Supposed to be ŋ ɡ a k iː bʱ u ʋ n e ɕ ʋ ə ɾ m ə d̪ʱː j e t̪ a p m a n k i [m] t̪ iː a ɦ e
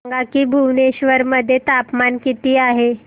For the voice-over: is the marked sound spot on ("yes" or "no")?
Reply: no